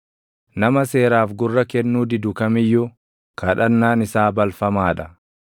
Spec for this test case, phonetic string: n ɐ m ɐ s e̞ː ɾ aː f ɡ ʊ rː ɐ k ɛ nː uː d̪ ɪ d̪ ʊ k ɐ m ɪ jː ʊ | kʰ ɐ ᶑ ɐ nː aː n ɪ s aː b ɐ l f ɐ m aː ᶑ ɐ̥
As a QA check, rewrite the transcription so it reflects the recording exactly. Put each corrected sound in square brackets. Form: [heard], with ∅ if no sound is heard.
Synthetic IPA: n ɐ m ɐ s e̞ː ɾ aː f ɡ ʊ rː ɐ k ɛ nː uː d̪ ɪ d̪ ʊ k ɐ m ɪ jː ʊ | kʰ ɐ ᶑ ɐ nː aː n ɪ s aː b ɐ l f ɐ m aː ᶑ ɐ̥